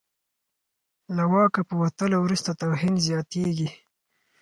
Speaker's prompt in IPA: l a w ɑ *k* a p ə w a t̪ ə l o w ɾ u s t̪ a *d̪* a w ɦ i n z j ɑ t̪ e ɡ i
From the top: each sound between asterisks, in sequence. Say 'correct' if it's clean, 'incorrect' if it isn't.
correct, incorrect: t̪

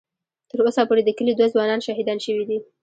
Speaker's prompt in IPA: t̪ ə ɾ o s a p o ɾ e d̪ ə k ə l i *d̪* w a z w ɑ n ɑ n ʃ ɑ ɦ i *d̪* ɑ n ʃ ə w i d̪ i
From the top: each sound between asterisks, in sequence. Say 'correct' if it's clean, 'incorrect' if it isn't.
correct, correct

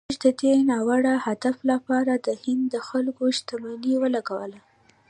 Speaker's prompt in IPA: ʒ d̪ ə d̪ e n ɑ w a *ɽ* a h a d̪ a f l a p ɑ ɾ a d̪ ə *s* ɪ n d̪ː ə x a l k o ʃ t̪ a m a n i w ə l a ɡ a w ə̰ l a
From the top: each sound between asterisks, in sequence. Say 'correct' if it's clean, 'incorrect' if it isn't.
correct, incorrect: h

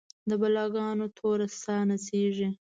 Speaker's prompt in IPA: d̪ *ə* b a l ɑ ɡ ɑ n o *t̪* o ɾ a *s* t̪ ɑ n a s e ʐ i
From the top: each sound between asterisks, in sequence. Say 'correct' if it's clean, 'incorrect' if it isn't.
correct, incorrect: t̪ʰ, correct

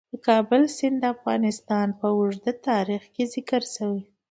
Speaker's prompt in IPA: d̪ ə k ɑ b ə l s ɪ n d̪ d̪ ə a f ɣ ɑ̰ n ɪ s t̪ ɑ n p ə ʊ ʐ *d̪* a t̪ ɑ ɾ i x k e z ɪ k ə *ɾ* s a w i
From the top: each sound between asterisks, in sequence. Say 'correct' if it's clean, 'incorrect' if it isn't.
correct, correct

